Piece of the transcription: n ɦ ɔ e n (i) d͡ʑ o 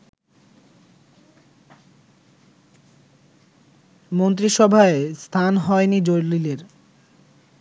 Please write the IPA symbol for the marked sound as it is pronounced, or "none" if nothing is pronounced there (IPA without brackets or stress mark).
i